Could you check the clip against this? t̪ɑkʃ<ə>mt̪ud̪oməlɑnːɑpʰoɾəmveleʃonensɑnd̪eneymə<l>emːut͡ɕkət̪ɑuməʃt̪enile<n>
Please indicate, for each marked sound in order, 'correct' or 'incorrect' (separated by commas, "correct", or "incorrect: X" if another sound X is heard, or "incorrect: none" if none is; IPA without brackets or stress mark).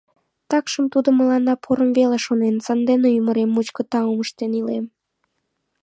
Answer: correct, incorrect: ɾ, incorrect: m